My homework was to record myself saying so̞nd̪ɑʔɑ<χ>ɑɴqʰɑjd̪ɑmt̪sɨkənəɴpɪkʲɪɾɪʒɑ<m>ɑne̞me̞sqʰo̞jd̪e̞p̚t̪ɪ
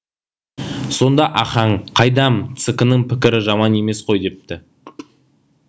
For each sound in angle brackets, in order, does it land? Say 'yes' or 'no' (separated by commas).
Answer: yes, yes